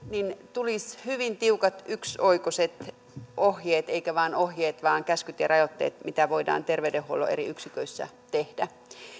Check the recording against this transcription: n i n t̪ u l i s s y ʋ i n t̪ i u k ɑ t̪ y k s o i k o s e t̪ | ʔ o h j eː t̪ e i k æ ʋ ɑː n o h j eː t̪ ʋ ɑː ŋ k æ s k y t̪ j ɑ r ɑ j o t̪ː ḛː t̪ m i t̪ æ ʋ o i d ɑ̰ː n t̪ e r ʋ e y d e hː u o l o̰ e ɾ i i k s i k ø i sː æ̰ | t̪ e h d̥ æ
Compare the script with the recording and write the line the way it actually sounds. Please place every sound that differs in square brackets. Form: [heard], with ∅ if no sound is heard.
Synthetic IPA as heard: n i n t̪ u l i s [h] y ʋ i n t̪ i u k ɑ t̪ y k s o i k o s e t̪ | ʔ o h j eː t̪ e i k æ ʋ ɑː n o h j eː t̪ ʋ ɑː ŋ k æ s k y t̪ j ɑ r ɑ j o t̪ː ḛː t̪ m i t̪ æ ʋ o i d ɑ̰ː n t̪ e r ʋ e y d e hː u o l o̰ e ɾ i [y] k s i k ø i sː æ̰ | t̪ e h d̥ æ